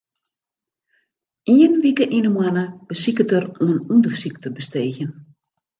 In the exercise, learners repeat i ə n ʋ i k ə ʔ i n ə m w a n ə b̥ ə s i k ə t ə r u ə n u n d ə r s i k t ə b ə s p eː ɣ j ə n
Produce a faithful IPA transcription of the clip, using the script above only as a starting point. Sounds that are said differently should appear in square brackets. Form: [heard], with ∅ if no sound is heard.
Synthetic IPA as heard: i ə n ʋ i k ə ʔ i n ə m w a n ə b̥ ə s i k ə t ə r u ə n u n d ə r s i k t ə b ə s [t] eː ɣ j ə n